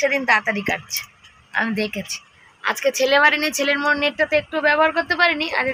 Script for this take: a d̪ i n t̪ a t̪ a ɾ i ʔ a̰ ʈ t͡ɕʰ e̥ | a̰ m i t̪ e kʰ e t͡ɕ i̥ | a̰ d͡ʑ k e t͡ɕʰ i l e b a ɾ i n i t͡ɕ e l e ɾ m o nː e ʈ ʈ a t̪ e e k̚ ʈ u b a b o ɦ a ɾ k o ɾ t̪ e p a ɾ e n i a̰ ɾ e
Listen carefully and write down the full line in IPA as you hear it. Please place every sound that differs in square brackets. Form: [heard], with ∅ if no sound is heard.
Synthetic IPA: [e] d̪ i n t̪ a t̪ a ɾ i [k] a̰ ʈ t͡ɕʰ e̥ | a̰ m i [d̪] e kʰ e [t͡ɕʰ] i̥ | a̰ d͡ʑ k e t͡ɕʰ [e] l e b a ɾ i n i [t͡ɕʰ] e l e ɾ m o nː e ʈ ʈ a t̪ e e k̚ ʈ u b [ɛ] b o ɦ a ɾ k o ɾ t̪ e p a ɾ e n i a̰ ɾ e